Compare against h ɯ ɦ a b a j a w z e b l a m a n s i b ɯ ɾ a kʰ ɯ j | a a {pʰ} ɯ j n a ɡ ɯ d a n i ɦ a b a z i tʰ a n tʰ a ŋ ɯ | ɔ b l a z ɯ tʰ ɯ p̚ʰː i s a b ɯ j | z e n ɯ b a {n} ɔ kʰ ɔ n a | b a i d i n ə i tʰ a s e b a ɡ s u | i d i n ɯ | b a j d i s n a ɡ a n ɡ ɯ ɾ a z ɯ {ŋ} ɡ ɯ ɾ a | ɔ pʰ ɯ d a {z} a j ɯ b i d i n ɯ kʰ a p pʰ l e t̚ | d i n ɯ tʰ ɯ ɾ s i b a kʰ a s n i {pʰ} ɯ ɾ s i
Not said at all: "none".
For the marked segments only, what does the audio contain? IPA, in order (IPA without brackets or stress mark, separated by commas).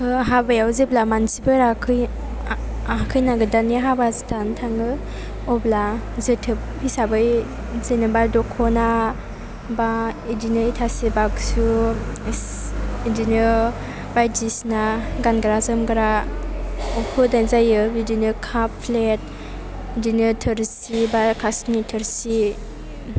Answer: kʰ, d, m, z, tʰ